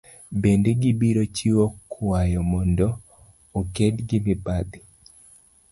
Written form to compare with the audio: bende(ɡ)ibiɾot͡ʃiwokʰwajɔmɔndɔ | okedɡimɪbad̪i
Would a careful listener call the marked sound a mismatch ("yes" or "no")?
no